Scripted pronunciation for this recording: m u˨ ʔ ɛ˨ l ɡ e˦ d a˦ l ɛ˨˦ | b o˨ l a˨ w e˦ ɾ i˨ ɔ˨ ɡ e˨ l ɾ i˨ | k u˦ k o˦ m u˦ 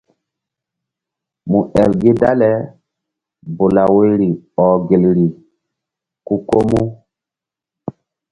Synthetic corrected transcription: m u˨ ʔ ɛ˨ l ɡ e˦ d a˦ l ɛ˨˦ | b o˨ l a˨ w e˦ ɾ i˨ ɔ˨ ɡ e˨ l ɾ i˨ | k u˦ k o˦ m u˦